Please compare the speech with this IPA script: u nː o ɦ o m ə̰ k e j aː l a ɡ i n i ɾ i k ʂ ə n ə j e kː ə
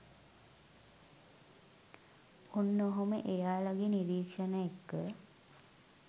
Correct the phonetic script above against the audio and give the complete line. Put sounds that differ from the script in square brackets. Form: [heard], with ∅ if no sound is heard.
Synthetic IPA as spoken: u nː o ɦ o m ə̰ [ʔ] e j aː l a ɡ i n i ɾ [iː] k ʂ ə n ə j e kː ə